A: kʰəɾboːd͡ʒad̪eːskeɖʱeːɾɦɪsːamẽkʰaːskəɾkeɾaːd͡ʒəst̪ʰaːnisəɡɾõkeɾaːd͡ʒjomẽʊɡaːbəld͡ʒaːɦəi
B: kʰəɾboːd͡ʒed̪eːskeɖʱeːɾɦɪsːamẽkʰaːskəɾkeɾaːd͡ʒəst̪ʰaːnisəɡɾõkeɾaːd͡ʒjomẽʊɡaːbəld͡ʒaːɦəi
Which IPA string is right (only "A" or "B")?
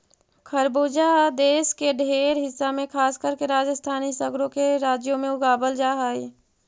A